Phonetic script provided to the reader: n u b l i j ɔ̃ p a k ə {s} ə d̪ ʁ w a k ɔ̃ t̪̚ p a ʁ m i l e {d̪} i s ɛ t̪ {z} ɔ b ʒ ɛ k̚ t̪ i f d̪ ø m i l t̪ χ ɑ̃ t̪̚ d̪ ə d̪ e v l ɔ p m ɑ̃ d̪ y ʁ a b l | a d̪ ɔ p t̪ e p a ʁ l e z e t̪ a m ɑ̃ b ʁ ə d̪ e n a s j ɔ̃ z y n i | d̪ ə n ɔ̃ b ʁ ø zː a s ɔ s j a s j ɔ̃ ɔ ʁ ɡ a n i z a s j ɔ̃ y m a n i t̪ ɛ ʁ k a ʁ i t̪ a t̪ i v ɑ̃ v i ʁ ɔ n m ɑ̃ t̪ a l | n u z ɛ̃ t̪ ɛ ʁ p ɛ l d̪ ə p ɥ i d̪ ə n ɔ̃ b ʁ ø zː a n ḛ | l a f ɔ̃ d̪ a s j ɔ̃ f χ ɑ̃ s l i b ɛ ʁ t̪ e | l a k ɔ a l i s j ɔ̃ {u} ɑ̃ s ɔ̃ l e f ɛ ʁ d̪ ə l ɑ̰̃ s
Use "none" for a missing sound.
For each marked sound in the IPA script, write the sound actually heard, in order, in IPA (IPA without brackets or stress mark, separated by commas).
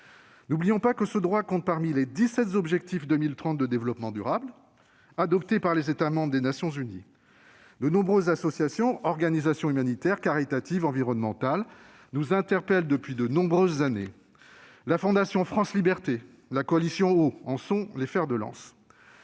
s, d̪, z, o